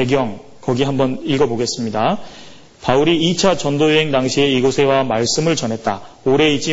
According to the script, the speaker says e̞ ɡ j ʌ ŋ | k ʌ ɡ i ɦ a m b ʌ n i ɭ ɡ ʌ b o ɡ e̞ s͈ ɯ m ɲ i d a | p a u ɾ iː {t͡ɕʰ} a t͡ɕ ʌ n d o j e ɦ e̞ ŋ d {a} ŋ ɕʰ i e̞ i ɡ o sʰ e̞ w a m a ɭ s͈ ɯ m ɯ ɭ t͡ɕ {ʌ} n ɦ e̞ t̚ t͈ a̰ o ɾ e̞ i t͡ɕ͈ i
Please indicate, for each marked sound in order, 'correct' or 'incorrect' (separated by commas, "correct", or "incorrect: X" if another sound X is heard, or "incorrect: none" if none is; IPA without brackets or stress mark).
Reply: correct, correct, correct